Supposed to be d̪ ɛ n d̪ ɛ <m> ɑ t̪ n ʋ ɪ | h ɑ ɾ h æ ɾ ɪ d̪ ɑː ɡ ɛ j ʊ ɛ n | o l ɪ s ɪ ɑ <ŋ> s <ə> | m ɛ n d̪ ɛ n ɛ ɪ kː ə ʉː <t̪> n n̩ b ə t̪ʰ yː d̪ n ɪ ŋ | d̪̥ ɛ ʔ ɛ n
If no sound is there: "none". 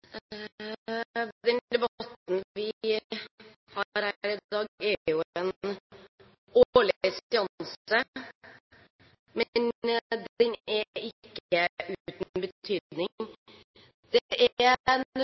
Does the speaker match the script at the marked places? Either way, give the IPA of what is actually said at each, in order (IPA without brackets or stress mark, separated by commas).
b, n, ə, t̪